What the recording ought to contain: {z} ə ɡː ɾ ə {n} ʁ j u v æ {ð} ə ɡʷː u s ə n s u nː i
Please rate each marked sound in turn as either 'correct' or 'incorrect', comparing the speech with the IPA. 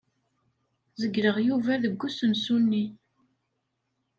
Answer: correct, incorrect, correct

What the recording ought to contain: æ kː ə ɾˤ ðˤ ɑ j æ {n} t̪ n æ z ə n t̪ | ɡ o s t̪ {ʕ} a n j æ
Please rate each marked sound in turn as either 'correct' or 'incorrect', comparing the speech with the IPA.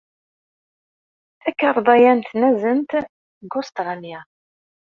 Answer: correct, incorrect

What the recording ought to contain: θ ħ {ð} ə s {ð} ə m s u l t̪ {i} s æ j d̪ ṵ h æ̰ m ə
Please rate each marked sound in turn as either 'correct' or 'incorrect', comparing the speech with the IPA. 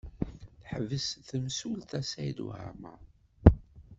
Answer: incorrect, incorrect, incorrect

